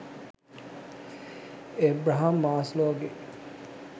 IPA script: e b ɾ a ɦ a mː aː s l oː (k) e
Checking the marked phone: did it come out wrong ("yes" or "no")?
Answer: yes